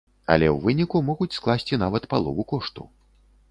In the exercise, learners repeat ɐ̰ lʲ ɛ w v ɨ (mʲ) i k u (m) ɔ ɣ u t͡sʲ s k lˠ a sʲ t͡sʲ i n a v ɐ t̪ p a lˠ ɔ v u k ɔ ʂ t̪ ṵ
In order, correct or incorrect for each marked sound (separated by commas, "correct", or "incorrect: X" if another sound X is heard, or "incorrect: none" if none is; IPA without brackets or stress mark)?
incorrect: nʲ, correct